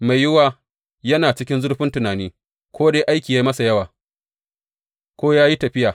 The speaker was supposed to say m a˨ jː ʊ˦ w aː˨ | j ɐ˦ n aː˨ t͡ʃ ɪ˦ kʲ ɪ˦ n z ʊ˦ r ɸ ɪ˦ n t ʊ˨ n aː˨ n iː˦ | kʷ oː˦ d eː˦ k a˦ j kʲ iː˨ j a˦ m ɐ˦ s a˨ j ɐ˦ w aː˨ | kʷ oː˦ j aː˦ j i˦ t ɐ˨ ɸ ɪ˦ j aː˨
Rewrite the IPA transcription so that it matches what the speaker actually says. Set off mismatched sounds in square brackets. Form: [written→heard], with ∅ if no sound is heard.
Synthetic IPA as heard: m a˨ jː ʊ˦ w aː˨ | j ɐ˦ n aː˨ t͡ʃ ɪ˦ kʲ ɪ˦ n z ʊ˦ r ɸ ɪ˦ n t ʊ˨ n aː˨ n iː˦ | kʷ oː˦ d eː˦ [k→ʔ] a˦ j kʲ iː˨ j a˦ m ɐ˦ s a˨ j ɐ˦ w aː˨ | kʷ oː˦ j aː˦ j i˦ t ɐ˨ ɸ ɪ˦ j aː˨